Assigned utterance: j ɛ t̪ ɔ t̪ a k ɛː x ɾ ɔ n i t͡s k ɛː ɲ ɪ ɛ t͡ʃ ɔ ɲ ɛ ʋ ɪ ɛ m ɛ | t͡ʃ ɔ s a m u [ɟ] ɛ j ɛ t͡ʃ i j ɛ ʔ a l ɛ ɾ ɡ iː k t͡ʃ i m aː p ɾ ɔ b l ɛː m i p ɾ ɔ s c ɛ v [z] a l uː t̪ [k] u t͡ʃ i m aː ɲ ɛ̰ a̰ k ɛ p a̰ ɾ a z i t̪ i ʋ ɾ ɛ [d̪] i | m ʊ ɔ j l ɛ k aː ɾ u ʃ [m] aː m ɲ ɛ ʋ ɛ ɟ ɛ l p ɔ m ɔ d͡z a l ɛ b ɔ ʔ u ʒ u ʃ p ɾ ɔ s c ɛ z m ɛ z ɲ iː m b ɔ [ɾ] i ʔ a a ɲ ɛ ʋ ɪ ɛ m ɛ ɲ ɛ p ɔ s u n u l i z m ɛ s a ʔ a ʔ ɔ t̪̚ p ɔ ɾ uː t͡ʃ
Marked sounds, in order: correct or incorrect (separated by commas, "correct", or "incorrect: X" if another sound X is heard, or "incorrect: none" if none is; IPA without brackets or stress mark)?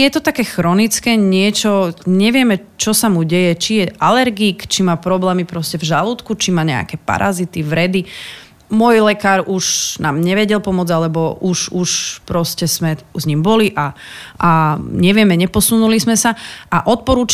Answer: correct, incorrect: ʒ, correct, correct, incorrect: n, incorrect: l